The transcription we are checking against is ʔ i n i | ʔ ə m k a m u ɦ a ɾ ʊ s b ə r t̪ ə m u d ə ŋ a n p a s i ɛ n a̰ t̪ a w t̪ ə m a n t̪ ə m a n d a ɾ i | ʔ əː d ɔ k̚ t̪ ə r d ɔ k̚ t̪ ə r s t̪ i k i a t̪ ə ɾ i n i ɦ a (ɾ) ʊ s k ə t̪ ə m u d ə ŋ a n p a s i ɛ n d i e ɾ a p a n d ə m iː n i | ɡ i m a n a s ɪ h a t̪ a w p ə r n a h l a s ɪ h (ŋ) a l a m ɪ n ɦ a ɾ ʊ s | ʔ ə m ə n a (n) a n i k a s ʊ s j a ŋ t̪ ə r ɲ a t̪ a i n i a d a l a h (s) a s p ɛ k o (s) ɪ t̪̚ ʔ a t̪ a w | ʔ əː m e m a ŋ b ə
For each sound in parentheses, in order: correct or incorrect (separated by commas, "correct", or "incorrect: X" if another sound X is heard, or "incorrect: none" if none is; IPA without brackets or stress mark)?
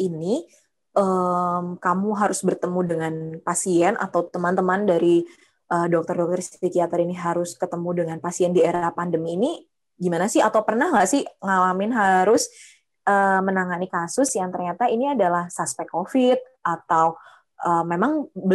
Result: correct, correct, incorrect: ŋ, correct, incorrect: f